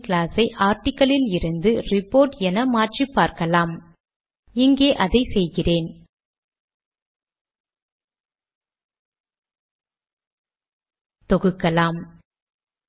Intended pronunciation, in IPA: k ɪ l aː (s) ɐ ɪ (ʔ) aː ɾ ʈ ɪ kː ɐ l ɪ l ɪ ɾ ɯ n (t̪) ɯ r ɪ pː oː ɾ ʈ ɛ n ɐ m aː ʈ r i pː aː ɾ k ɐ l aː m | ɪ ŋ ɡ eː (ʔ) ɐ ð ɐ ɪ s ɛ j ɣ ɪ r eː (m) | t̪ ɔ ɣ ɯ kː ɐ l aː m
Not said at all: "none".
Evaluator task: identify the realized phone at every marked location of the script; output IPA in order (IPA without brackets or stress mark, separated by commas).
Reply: s, ʔ, d̪, ʔ, n